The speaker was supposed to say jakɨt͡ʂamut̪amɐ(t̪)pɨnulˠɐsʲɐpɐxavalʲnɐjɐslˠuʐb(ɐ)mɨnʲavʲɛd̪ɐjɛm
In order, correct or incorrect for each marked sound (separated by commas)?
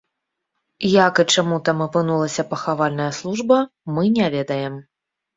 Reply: incorrect, correct